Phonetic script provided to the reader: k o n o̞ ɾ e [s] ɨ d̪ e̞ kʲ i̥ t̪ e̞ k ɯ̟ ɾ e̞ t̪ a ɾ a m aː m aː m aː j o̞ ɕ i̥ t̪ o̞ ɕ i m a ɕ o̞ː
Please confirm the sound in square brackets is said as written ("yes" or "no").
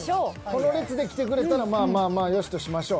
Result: no